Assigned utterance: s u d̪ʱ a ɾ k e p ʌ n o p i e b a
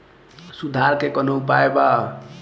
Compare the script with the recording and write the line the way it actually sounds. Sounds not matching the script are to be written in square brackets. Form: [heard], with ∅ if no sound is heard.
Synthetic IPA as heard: s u d̪ʱ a ɾ k e [k] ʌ n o p [a] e b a